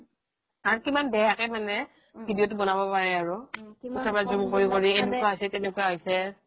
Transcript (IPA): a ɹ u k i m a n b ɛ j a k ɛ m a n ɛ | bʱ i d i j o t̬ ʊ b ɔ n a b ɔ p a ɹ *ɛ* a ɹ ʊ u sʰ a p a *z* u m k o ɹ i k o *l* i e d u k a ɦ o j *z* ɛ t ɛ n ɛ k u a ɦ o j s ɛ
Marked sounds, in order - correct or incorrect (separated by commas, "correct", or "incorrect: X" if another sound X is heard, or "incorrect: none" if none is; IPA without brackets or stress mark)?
correct, correct, incorrect: ɹ, incorrect: s